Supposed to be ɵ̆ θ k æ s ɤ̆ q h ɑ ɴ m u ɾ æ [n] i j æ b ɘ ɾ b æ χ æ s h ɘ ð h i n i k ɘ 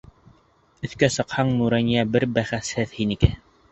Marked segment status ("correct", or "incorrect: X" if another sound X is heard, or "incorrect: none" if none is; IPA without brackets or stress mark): correct